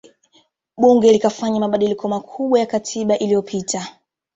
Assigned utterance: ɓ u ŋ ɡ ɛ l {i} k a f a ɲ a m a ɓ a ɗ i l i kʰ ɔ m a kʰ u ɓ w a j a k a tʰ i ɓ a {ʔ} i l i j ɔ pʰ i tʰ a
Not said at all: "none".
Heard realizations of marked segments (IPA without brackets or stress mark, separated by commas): i, ʔ